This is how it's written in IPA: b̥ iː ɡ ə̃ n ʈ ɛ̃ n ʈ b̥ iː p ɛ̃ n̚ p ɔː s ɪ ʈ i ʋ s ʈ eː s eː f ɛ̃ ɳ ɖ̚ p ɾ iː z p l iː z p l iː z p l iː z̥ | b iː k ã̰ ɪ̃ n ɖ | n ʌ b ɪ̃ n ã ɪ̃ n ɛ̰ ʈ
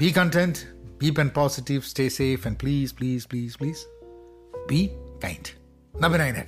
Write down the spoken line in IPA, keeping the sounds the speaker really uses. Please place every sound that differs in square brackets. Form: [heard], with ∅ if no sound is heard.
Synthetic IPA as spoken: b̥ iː [k] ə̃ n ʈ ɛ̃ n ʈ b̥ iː p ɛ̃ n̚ p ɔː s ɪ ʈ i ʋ s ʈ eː s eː f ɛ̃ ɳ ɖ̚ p [l] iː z p l iː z p l iː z p l iː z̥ | b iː k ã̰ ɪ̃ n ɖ | n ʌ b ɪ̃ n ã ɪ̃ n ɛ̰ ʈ